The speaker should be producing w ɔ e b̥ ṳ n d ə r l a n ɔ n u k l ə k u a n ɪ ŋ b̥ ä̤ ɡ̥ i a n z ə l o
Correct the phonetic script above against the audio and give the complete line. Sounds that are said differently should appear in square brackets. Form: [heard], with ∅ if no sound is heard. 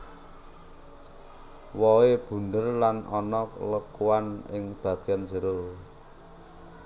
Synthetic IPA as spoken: w ɔ e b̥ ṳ n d ə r l a n ɔ n [ɔ] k l ə k u a n ɪ ŋ b̥ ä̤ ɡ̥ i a n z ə [ɾ] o